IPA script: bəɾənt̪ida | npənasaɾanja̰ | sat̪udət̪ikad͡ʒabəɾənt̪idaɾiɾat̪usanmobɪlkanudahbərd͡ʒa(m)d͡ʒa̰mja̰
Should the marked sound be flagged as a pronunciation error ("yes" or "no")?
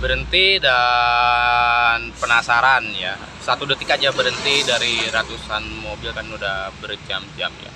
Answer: no